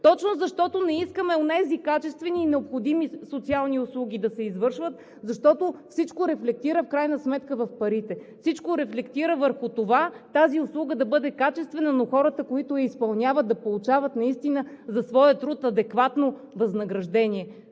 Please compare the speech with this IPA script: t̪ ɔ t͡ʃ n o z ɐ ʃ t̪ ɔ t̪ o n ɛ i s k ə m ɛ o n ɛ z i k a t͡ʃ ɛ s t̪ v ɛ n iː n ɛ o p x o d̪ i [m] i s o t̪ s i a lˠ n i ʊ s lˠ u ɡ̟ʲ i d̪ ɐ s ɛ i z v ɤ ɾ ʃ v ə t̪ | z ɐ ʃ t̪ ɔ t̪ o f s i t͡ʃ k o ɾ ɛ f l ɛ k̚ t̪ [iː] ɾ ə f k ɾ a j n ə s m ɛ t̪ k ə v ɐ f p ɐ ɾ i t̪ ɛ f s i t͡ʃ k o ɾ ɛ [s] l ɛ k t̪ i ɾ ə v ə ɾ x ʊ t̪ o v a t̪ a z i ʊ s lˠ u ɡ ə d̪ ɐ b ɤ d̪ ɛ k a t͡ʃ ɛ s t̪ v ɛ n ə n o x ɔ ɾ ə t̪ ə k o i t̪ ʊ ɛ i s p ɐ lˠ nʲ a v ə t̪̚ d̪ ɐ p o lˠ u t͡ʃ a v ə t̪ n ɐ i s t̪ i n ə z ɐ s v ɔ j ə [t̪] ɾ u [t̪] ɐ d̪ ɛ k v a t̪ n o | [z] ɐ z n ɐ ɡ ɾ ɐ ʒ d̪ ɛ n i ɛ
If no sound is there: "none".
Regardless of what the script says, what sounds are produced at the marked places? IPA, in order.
m, i, f, t̪, t̪, v

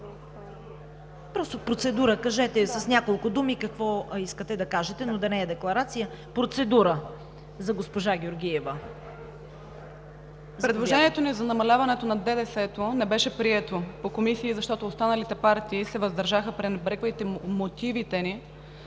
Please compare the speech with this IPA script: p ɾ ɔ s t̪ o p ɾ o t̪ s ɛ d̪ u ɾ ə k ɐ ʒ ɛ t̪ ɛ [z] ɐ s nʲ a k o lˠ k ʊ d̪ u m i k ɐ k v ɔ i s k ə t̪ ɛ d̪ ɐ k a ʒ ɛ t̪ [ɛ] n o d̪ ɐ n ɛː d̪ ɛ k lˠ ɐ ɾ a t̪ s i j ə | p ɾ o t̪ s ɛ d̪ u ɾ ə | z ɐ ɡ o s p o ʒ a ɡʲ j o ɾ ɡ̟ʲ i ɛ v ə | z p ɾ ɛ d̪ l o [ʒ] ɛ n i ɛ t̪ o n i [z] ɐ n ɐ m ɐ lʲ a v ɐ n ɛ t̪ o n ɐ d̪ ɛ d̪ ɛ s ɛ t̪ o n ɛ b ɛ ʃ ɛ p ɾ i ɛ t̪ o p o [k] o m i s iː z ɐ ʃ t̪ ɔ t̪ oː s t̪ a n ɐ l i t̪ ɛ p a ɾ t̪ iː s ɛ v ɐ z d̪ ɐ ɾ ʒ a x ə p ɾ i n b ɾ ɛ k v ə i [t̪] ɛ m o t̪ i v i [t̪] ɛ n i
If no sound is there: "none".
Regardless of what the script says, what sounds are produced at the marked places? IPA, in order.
s, ɛ, ʒ, z, k, t̪, t̪

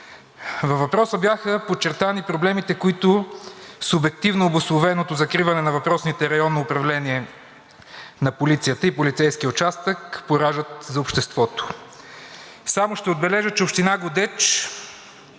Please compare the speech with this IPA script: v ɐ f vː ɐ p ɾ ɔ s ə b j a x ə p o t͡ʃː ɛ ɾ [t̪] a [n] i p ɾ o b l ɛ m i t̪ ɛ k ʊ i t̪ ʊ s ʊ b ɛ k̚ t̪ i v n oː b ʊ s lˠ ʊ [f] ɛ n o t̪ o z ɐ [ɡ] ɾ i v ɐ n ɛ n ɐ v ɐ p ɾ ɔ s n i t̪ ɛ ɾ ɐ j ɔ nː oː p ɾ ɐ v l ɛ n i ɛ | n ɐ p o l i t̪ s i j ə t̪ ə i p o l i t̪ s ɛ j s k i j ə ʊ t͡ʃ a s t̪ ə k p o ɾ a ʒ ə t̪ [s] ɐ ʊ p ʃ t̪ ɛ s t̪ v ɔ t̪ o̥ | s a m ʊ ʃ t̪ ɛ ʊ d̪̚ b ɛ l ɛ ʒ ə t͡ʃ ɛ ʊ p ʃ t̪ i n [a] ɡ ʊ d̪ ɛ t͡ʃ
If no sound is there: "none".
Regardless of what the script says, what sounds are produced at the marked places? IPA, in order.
t̪, n, v, k, z, a

